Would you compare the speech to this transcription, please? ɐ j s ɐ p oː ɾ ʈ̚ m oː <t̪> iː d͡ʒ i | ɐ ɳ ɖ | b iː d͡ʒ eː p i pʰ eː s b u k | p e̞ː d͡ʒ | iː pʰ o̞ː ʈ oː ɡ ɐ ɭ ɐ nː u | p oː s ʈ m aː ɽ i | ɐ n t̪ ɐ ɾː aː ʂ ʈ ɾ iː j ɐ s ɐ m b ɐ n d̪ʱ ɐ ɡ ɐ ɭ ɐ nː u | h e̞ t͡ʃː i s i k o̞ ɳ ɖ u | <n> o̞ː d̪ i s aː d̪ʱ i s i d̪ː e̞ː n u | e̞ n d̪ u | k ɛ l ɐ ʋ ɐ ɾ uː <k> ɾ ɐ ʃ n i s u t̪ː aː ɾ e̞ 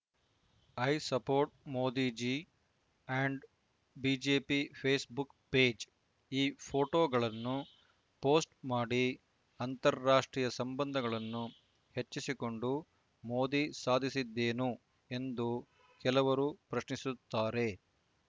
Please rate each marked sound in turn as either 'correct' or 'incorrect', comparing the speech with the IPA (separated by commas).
incorrect, incorrect, incorrect